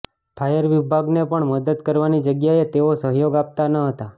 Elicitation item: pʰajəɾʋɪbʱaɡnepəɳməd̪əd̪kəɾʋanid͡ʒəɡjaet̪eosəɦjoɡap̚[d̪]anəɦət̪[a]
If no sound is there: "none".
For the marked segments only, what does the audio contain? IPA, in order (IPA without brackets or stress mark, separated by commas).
t̪, a